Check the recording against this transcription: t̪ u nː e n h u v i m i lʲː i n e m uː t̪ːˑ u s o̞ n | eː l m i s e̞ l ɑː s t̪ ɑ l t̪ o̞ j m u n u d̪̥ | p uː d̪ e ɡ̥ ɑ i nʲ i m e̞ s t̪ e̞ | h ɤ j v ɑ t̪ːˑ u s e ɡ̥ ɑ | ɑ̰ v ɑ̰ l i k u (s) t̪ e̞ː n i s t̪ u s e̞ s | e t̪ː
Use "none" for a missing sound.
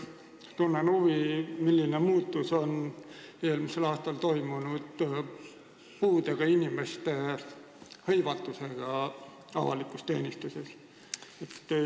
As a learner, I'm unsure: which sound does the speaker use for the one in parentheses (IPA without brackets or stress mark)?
s